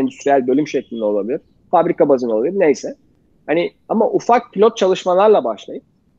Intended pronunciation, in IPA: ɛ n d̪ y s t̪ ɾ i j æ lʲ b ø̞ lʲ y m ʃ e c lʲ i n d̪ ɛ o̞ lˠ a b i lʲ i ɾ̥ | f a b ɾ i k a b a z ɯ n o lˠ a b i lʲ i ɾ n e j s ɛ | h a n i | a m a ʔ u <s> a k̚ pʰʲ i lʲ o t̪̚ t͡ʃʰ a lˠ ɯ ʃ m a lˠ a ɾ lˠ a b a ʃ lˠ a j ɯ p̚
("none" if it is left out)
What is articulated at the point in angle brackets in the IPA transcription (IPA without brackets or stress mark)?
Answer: f